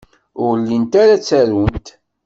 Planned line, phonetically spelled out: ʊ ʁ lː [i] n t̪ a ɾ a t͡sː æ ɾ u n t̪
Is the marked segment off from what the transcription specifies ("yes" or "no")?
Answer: no